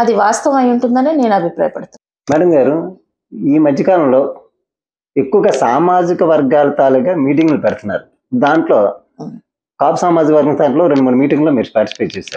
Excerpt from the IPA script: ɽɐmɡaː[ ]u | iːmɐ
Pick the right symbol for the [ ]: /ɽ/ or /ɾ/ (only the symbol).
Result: ɾ